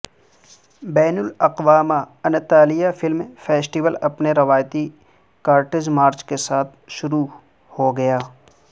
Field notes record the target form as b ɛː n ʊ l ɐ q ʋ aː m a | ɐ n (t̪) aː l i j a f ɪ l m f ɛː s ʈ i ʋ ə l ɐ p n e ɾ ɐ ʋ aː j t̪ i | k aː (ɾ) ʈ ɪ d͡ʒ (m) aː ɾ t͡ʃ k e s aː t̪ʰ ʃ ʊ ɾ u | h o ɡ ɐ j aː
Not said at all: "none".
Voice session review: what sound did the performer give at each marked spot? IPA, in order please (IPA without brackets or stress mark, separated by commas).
t̪, ɾ, m